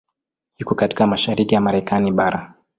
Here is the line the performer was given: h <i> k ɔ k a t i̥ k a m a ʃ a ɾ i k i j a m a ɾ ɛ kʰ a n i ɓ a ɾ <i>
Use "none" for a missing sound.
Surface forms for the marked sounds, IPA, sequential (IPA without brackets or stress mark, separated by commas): i, a